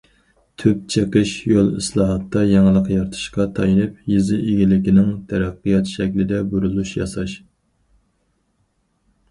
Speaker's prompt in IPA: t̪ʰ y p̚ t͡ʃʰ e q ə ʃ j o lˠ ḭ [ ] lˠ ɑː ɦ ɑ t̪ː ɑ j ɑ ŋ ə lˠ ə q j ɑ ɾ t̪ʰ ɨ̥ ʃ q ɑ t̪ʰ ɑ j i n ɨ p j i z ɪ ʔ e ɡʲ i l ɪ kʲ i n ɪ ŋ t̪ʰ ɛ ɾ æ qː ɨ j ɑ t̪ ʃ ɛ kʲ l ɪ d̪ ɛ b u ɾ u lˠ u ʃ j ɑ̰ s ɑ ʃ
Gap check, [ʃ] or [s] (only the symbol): s